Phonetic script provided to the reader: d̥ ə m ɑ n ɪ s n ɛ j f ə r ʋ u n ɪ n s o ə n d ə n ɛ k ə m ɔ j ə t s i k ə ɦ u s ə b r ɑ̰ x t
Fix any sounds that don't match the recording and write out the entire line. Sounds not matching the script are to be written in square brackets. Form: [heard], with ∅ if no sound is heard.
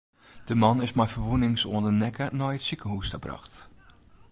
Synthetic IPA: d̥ ə m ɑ n ɪ s [m] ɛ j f ə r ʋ u n ɪ [ŋ] s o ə n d ə n ɛ k ə [n] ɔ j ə t s i k ə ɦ u s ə b r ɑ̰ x t